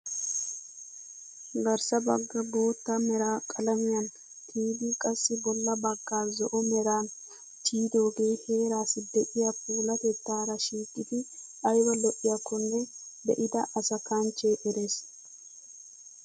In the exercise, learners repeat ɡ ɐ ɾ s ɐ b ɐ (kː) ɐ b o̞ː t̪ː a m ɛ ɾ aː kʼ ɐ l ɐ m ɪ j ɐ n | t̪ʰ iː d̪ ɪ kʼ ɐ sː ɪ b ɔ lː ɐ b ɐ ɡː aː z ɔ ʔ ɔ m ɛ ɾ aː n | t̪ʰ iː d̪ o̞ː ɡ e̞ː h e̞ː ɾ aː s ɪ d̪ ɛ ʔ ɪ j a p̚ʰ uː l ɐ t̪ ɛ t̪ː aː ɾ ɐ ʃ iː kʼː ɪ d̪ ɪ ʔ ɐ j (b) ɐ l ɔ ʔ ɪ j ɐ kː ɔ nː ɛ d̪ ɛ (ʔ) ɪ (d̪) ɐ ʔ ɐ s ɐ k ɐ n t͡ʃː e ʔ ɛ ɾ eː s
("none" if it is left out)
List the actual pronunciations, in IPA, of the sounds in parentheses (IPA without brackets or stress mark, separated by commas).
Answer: ɡː, w, ʔ, d̪